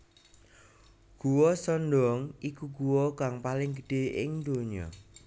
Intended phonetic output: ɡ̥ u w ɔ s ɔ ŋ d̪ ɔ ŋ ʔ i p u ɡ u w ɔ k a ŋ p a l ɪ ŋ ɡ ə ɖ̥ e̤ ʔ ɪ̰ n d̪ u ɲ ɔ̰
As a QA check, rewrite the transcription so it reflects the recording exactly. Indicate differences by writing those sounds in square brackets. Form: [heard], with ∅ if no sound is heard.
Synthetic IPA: ɡ̥ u w ɔ s ɔ [n] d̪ ɔ ŋ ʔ i [k] u ɡ u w ɔ k a ŋ p a l ɪ ŋ ɡ ə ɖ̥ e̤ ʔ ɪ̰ [ŋ] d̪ [o] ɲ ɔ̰

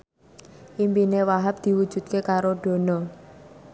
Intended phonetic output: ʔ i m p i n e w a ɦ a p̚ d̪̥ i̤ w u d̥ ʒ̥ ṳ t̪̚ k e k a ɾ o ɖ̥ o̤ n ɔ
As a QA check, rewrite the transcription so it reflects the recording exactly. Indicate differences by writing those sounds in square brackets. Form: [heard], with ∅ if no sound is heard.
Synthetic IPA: ʔ i m p i n e w a ɦ a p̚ d̪̥ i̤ w u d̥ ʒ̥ ṳ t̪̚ k e k a ɾ o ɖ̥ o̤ n ɔ

